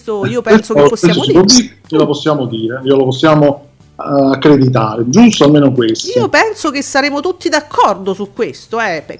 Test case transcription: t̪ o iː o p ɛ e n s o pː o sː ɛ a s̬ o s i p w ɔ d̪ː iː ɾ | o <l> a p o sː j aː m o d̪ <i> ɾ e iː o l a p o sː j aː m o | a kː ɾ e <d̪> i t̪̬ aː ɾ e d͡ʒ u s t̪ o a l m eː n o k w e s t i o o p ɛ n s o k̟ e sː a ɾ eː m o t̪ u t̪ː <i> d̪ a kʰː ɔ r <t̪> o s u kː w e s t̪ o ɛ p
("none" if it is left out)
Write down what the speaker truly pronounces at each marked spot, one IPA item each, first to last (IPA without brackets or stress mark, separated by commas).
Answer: l, iː, d̪, i, d̪